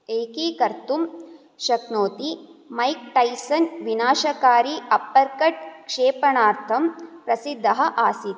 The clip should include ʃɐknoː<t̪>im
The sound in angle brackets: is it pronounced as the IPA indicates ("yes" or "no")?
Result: yes